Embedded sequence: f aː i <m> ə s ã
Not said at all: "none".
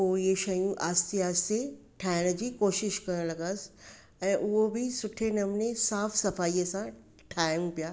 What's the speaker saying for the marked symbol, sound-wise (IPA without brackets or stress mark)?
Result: none